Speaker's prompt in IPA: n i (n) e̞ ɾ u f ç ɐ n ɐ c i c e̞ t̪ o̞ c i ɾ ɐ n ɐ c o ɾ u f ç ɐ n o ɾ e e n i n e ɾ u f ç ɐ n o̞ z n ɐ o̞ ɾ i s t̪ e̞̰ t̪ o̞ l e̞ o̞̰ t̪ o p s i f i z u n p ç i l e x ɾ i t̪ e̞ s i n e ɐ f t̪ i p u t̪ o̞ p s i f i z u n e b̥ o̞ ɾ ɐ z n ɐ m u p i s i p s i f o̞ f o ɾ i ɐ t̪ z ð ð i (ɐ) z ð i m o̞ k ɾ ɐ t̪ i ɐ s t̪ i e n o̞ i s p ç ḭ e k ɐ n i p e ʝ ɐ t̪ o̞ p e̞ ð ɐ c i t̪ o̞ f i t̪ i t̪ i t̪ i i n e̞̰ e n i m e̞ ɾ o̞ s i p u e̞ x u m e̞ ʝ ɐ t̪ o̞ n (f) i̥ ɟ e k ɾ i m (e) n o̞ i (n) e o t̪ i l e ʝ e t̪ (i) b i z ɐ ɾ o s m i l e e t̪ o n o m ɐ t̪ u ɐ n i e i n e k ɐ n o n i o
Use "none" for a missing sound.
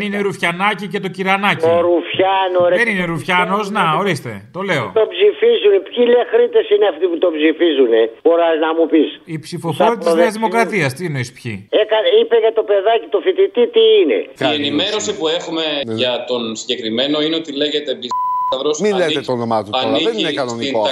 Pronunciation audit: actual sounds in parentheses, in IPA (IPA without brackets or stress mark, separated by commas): n, ɐ, s, e, n, e